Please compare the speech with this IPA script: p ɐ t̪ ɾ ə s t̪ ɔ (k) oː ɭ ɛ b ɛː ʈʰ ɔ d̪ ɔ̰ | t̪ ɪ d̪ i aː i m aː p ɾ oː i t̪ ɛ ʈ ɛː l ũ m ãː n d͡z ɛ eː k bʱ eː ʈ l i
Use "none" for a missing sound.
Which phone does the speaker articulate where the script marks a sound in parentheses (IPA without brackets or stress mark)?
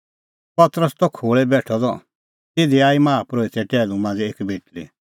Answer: kʰ